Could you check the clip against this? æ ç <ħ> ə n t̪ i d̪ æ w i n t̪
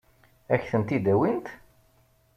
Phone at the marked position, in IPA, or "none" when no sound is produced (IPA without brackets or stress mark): θ